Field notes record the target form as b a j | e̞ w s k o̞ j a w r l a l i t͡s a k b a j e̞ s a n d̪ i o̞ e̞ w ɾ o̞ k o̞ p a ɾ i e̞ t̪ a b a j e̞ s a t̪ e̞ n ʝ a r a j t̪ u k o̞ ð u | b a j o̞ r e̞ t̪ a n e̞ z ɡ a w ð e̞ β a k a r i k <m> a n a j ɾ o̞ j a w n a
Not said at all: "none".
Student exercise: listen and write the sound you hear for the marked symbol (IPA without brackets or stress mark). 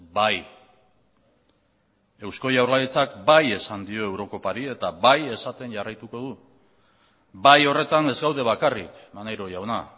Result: m